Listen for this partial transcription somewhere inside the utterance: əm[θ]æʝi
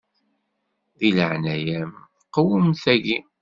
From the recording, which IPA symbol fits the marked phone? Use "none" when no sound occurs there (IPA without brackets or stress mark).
θ